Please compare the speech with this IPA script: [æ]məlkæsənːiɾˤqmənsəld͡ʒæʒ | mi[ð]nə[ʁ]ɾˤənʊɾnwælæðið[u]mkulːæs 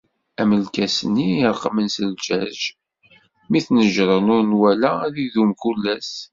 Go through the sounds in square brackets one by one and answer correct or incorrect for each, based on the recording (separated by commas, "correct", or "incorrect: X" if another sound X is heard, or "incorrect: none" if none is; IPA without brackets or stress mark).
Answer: correct, incorrect: θ, incorrect: ʒ, correct